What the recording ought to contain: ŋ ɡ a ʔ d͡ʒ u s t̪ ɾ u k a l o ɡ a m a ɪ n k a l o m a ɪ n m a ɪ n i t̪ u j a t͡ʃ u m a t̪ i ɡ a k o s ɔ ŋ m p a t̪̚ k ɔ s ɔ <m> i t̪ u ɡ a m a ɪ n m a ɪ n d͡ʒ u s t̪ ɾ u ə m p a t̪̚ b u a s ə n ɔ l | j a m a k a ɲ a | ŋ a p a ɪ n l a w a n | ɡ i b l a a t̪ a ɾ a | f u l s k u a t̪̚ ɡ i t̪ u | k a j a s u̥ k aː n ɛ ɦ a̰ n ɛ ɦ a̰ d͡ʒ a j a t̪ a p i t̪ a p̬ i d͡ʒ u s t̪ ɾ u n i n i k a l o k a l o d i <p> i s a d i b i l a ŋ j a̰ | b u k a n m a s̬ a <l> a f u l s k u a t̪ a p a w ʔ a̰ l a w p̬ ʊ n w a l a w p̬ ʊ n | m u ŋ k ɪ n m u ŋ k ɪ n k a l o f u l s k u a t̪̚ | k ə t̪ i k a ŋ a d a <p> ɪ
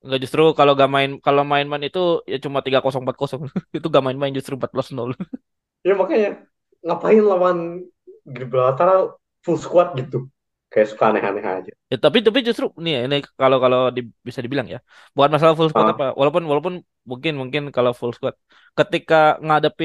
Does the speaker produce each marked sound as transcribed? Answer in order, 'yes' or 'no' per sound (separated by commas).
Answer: no, no, yes, yes